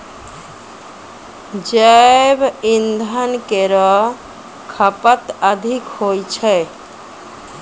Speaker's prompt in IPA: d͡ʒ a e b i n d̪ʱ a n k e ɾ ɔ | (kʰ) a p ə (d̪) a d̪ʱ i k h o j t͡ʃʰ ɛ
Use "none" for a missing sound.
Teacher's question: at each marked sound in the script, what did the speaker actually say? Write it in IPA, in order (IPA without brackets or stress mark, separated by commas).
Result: kʰ, t̪